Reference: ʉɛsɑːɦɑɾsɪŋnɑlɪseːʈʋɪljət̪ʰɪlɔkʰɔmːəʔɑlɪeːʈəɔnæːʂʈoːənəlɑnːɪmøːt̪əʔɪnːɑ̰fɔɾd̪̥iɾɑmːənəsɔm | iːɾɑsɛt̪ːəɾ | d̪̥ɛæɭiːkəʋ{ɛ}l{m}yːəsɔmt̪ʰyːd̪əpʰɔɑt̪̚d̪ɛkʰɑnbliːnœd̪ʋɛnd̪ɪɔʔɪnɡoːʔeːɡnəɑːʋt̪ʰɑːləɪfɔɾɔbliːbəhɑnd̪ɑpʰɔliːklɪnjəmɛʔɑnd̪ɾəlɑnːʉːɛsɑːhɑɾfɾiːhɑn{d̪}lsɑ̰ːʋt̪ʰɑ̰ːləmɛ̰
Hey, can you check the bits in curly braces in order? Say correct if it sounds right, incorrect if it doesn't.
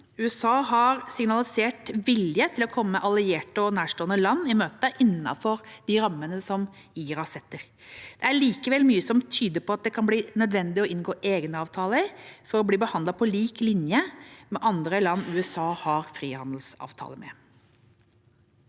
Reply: correct, correct, correct

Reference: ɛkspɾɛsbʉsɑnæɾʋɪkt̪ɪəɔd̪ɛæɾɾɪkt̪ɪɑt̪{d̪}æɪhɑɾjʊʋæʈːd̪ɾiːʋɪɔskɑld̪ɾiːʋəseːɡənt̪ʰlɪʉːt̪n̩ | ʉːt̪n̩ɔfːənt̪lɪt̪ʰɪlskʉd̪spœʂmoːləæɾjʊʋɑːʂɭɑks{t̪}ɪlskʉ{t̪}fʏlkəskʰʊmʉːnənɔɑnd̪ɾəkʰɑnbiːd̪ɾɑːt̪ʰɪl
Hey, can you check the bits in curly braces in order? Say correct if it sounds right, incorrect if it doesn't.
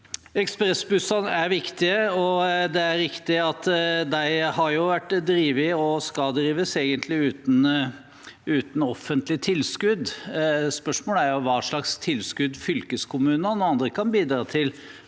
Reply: correct, incorrect, incorrect

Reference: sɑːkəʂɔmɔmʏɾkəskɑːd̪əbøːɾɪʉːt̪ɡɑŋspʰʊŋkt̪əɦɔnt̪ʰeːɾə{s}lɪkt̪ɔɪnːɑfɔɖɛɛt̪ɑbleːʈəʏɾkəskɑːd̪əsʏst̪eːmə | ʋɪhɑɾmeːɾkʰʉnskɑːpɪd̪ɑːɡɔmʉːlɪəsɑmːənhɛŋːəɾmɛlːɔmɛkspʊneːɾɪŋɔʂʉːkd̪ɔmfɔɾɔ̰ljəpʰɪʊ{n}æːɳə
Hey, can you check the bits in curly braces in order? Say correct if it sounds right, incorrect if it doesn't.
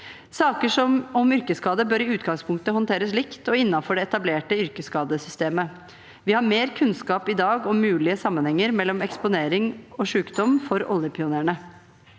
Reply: correct, correct

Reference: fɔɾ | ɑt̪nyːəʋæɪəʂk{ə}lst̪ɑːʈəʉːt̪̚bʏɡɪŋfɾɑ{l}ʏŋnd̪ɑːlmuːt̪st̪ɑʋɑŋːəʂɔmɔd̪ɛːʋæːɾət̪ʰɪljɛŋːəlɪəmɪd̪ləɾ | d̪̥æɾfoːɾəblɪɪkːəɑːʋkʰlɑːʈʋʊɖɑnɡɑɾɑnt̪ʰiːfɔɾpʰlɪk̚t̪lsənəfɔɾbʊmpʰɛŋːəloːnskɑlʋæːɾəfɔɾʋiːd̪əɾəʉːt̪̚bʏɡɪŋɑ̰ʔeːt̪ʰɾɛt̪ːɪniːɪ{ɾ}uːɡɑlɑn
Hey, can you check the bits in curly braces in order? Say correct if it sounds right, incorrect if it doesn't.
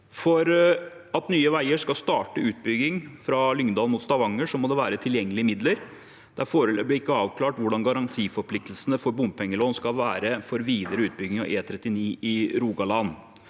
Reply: incorrect, correct, correct

